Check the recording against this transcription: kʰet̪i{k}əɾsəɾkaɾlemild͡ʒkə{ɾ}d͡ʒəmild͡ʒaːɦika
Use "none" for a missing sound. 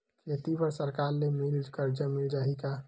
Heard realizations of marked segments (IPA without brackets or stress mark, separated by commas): p, ɾ